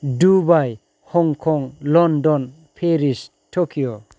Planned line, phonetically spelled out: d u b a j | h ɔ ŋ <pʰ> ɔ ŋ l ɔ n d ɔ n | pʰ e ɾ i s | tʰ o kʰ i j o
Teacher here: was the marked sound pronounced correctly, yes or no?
no